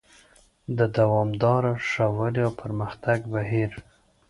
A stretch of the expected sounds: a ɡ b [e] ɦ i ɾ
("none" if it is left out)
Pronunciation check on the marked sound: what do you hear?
a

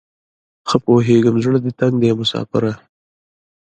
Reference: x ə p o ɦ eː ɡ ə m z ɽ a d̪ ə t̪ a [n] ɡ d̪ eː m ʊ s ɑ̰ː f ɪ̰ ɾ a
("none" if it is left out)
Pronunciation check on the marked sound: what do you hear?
ŋ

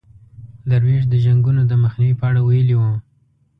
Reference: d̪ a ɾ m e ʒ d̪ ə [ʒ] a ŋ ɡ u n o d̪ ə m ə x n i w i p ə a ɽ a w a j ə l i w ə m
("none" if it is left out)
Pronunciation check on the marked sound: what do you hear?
ʒ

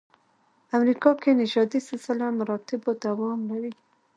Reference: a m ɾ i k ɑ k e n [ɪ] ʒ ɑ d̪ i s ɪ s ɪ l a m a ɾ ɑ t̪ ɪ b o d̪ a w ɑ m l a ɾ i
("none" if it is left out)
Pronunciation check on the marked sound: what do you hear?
ɪ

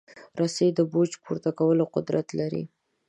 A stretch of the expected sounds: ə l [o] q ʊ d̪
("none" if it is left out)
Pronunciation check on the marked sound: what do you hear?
o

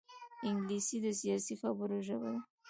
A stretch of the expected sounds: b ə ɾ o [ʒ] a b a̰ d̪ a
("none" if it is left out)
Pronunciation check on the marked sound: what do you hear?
ʒ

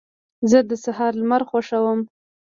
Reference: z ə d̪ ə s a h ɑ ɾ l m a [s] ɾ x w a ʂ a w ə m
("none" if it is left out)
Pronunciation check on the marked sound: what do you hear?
none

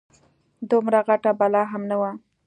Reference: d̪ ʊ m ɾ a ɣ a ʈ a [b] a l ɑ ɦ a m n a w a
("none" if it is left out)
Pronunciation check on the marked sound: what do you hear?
b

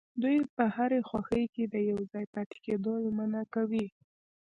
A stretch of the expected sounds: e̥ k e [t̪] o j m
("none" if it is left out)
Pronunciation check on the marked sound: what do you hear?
d̪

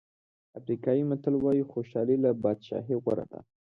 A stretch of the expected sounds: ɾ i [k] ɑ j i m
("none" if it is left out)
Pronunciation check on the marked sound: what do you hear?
k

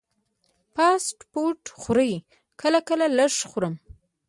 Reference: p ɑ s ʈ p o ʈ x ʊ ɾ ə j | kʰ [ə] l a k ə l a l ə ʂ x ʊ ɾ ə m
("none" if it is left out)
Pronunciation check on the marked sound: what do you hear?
ə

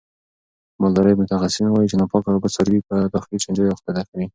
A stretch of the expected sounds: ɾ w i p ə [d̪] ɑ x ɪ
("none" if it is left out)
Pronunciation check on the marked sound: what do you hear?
d̪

